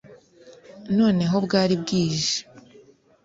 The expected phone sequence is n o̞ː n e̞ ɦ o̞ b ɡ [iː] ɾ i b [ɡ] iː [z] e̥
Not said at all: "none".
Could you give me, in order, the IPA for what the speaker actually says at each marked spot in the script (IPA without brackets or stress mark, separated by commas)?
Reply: aː, ɡ, ʒ